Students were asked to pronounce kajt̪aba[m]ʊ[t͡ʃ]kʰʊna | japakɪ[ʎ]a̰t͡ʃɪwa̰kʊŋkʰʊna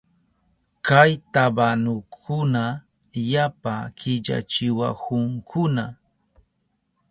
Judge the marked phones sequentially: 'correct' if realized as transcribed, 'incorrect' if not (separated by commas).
incorrect, incorrect, correct